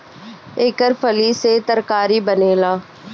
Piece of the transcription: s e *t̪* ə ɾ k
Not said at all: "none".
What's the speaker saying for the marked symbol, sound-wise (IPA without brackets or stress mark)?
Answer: t̪